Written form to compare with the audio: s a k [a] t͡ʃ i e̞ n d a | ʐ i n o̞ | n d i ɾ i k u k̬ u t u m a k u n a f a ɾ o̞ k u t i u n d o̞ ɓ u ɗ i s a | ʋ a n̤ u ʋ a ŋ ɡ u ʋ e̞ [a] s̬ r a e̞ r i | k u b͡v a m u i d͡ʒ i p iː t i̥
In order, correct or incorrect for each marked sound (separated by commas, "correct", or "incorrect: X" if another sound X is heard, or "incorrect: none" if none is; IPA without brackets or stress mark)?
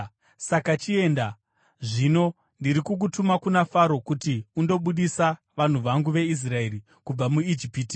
correct, incorrect: i